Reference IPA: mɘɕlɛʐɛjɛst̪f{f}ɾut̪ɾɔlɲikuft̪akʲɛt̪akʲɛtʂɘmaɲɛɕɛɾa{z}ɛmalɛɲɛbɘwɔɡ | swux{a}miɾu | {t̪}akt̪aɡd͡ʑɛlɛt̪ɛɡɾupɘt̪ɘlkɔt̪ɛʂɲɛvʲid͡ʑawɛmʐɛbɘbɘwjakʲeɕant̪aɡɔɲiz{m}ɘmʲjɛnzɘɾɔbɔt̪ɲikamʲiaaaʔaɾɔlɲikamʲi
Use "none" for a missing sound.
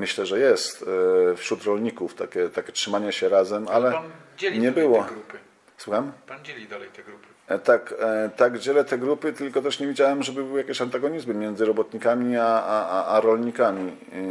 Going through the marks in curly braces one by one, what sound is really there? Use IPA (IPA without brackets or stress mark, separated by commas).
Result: ɕ, z, a, t̪, m